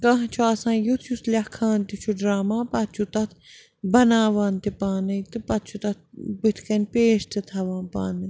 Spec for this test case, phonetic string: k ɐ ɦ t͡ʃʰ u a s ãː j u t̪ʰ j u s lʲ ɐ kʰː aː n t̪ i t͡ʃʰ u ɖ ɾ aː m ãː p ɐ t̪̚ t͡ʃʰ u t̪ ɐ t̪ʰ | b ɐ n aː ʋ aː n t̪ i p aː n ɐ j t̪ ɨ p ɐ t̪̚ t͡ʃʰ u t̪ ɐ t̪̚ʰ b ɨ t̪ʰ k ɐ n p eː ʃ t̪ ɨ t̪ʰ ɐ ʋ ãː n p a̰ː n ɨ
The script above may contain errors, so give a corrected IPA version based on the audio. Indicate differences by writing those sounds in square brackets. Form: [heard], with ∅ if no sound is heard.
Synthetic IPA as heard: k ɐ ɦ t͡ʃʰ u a s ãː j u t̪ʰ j u s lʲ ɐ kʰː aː n t̪ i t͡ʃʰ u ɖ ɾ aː m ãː p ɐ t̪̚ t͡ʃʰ u t̪ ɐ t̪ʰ | b ɐ n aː ʋ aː n t̪ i p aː n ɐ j t̪ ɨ p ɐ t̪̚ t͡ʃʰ u t̪ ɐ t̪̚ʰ b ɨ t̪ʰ k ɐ n p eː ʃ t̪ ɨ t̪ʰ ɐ ʋ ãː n p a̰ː n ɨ

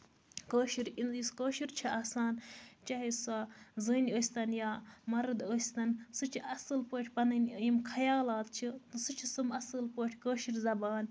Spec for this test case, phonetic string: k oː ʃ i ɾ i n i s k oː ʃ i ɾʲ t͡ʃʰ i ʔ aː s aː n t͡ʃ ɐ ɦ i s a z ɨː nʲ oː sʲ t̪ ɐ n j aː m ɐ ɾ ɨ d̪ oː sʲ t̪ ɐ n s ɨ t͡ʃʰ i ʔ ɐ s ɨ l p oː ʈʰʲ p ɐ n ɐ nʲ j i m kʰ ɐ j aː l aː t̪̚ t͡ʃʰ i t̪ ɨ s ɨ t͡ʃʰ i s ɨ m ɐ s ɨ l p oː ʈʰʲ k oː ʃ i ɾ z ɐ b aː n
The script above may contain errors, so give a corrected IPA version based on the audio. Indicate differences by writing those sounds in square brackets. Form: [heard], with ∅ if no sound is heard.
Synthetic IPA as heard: k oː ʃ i ɾ i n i s k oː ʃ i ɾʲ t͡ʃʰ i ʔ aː s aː n t͡ʃ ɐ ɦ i s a z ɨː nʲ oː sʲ t̪ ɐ n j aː m ɐ ɾ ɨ d̪ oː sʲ t̪ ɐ n s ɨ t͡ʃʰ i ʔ ɐ s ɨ l p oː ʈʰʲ p ɐ n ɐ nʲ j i m kʰ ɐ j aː l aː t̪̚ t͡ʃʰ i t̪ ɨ s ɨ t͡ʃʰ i s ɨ m ɐ s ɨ l p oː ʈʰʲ k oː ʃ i ɾ z ɐ b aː n

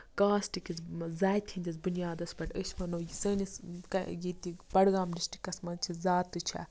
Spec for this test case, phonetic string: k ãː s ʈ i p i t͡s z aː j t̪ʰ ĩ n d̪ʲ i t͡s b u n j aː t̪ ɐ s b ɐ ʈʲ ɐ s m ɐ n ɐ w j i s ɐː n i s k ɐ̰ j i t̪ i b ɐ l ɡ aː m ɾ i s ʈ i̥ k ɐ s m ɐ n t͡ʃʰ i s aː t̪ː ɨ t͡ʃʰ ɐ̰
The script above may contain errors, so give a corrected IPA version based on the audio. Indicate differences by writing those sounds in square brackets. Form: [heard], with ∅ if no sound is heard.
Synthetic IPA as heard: k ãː s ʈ i [k] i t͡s z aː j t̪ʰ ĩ n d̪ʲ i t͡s b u n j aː [d̪] ɐ s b ɐ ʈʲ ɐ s m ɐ n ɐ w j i s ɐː n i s k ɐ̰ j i t̪ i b ɐ [ɽ] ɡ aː m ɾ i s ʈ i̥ k ɐ s m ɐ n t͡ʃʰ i [z] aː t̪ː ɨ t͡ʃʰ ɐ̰

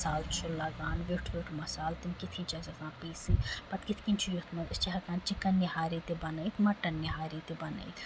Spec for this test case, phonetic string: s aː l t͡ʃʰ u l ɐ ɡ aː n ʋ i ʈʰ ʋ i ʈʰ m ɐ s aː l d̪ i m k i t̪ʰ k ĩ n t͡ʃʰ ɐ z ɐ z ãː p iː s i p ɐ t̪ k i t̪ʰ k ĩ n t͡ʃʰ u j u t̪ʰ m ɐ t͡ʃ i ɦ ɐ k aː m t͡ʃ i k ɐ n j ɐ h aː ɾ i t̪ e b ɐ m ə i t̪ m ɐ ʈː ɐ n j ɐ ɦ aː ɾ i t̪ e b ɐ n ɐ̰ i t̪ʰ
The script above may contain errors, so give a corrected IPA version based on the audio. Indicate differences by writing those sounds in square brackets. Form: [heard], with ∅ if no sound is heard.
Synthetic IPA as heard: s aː l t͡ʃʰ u l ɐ ɡ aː n ʋ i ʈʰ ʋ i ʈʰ m ɐ s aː l [t̪] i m k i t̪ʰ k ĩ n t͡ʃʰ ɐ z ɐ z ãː p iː s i p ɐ t̪ k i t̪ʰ k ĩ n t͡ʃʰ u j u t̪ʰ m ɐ t͡ʃ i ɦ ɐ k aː [n] t͡ʃ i k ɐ n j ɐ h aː ɾ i t̪ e b ɐ [n] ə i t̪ m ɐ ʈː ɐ n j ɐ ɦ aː ɾ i t̪ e b ɐ n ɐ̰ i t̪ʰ

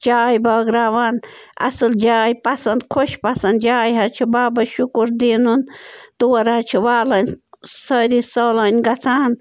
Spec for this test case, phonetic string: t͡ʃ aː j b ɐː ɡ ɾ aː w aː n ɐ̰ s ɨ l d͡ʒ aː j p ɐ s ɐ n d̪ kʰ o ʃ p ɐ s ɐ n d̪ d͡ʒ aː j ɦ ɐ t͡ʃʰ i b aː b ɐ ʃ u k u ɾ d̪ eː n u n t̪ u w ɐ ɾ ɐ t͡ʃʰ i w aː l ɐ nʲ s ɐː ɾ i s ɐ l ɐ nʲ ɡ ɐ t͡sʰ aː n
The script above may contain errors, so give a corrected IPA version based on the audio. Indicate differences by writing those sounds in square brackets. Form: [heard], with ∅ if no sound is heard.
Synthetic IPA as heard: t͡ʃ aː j b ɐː ɡ ɾ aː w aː n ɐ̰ s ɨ l d͡ʒ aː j p ɐ s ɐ n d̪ kʰ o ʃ p ɐ s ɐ n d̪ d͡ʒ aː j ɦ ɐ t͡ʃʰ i b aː b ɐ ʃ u k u ɾ d̪ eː n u n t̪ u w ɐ ɾ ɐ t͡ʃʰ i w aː l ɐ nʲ s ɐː ɾ i s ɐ l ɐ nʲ ɡ ɐ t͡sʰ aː n

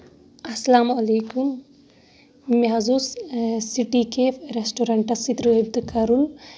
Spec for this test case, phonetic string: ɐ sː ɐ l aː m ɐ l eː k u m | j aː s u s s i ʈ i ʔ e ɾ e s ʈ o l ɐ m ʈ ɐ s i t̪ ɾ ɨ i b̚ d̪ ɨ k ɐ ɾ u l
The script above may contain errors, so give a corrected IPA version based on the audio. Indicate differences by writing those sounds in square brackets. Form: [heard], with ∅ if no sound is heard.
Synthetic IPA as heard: ɐ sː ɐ l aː m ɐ l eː k u m | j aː [z] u s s i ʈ i [k] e ɾ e s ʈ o [ɾ] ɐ [ɳ] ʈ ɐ s i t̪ ɾ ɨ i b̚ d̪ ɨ k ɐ ɾ u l

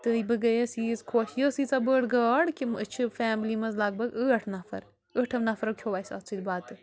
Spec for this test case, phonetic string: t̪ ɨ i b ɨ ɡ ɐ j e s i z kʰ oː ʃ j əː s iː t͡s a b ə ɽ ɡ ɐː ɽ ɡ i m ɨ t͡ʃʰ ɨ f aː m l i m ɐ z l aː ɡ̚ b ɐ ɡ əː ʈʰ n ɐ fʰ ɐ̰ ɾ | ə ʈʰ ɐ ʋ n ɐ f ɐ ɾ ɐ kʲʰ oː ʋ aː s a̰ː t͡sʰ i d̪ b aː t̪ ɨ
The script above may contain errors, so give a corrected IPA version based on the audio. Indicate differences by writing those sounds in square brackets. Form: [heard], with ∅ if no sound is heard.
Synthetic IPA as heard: t̪ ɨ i b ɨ ɡ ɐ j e s i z kʰ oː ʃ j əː s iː t͡s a b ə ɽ ɡ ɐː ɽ [k] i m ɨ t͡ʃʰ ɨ f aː m l i m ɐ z l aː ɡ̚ b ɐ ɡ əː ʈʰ n ɐ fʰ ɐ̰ ɾ | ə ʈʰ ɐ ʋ n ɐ f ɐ ɾ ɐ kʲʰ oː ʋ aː s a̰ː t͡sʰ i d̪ b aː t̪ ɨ

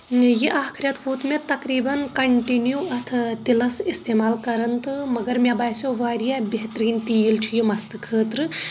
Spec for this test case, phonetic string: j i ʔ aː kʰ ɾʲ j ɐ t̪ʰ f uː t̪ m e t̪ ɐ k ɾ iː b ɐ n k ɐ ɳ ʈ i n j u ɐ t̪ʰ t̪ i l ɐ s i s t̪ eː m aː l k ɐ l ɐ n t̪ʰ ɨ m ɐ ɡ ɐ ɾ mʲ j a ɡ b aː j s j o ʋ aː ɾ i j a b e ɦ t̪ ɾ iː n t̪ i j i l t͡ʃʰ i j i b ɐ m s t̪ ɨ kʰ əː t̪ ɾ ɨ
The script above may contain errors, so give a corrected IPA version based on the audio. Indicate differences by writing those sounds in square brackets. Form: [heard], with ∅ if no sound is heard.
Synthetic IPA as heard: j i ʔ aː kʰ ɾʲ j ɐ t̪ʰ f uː t̪ m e t̪ ɐ k ɾ iː b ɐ n k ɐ ɳ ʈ i n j u ɐ t̪ʰ t̪ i l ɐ s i s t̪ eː m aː l k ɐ [ɾ] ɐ n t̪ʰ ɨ m ɐ ɡ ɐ ɾ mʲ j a [∅] b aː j s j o ʋ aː ɾ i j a b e ɦ t̪ ɾ iː n t̪ i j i l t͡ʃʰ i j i [m] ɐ [∅] s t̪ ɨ kʰ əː t̪ ɾ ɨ

